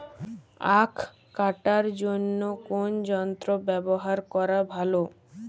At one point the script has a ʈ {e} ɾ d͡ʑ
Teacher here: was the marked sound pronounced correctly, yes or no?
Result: no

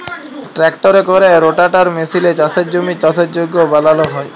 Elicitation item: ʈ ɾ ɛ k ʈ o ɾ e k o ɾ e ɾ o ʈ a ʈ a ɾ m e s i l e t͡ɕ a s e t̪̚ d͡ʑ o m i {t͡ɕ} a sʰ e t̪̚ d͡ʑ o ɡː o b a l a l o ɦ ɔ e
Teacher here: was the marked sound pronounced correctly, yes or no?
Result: yes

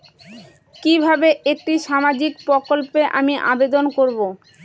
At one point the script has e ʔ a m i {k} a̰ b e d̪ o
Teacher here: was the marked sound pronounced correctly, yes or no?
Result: no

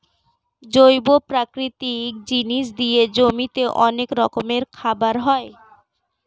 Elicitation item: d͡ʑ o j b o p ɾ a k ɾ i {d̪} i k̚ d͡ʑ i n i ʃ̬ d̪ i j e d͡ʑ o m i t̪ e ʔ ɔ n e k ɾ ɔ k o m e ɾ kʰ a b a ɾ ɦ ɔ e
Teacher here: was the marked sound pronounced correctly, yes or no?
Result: no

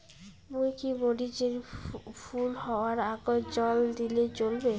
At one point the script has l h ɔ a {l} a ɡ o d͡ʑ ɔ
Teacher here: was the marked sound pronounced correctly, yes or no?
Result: no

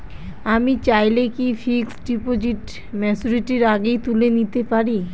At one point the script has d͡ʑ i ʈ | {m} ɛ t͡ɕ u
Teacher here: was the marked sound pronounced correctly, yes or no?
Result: yes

